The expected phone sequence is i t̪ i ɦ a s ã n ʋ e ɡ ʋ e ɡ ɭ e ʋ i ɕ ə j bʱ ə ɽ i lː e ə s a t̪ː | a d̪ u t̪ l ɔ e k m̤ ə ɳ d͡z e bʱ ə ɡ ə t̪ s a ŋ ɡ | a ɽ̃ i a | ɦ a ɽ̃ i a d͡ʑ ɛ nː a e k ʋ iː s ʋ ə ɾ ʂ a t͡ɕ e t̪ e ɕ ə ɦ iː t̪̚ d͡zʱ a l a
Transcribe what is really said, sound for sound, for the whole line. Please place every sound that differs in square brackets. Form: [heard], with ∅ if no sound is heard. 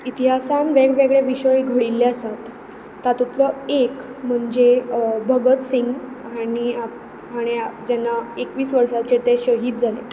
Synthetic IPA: i t̪ i ɦ a s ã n ʋ e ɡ ʋ e ɡ ɭ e ʋ i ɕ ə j [ɡʱ] ə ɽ i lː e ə s a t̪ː | a [t̪] u t̪ l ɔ e k m̤ ə ɳ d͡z e bʱ ə ɡ ə t̪ s [i] ŋ ɡ | a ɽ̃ i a | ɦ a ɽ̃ i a d͡ʑ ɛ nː a e k ʋ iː s ʋ ə ɾ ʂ a t͡ɕ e t̪ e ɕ ə ɦ iː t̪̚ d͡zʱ a l [e]